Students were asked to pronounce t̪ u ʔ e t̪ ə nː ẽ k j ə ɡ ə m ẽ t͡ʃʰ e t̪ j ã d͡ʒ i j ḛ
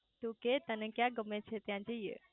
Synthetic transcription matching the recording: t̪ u k e t̪ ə n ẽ k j a ɡ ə m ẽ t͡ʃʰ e t̪ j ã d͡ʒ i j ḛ